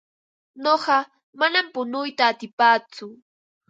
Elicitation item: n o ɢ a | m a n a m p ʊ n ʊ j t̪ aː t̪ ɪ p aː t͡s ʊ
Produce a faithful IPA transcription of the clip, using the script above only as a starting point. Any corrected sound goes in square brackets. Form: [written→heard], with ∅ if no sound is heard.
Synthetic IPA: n o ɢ [a→ɑ] | m a n a m p ʊ n ʊ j t̪ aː t̪ ɪ p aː t͡s ʊ